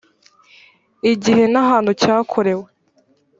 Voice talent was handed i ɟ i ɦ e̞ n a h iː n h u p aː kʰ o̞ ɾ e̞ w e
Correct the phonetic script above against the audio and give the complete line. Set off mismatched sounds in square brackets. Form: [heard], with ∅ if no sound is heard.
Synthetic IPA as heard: i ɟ i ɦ e̞ n a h [aː] n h u [c] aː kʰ o̞ ɾ e̞ w e